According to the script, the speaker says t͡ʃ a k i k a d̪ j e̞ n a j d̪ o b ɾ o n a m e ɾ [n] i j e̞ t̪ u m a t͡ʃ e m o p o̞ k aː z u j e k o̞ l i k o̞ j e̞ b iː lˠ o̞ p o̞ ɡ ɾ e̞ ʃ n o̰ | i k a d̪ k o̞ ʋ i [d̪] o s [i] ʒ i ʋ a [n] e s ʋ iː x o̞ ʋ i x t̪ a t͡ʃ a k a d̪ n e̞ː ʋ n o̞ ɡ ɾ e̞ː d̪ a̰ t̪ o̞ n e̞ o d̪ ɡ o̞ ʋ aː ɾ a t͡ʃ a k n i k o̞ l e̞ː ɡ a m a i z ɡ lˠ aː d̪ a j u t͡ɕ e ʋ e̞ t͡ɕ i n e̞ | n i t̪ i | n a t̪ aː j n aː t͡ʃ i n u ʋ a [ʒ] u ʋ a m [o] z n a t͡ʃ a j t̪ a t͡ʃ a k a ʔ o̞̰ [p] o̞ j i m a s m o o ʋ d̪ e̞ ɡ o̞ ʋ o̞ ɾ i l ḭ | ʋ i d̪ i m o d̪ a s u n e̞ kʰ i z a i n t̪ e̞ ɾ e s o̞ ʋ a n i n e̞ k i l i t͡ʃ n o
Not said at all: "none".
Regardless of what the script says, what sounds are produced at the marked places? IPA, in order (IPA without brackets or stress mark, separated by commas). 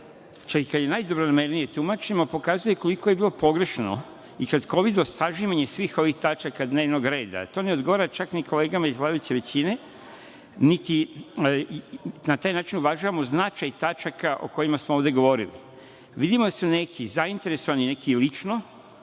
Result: n, d̪, a, ɲ, ʒ, o, k